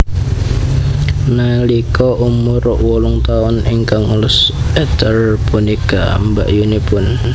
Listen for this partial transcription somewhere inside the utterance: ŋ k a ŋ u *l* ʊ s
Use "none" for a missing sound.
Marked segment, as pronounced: l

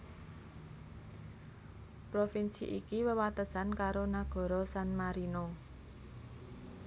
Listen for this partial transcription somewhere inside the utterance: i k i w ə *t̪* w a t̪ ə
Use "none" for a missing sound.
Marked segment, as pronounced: none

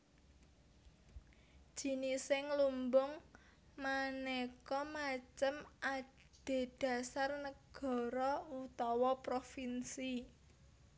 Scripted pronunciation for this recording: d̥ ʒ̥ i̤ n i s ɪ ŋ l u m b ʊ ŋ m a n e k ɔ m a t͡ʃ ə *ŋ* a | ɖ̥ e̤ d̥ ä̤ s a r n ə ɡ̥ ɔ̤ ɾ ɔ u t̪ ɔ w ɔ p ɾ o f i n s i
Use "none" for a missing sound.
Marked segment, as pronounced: m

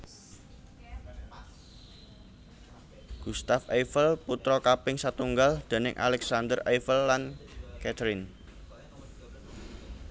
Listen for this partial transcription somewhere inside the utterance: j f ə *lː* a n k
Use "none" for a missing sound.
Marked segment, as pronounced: lː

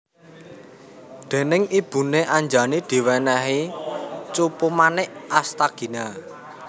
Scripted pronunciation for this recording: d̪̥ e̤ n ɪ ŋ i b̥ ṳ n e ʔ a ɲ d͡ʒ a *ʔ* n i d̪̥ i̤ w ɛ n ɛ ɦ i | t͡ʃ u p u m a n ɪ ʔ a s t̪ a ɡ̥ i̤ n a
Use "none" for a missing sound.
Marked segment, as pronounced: none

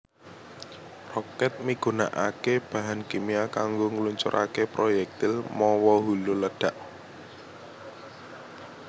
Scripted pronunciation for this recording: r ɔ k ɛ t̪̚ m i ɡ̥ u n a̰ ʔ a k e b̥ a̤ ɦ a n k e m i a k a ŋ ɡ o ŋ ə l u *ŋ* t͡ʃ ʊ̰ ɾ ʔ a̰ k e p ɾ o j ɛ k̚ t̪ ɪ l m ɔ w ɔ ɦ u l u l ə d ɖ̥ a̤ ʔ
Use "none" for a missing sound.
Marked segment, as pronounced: ɲ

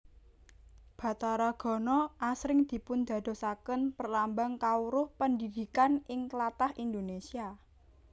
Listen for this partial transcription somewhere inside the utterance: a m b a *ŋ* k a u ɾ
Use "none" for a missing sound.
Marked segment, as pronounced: ŋ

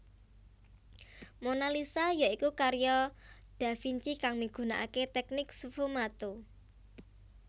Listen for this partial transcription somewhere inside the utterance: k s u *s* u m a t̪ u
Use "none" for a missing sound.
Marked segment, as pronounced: f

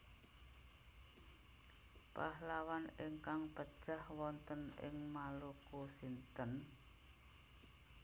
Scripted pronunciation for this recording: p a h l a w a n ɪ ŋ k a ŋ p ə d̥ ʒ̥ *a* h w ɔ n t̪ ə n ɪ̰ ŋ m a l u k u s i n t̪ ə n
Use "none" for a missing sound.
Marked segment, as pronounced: a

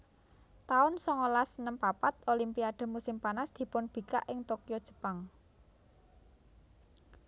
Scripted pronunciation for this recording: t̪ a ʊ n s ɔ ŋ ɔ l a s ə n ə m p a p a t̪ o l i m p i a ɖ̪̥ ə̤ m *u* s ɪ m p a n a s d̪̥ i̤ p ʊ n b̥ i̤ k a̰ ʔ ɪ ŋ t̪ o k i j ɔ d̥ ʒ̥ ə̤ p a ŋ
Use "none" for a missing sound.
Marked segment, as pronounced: u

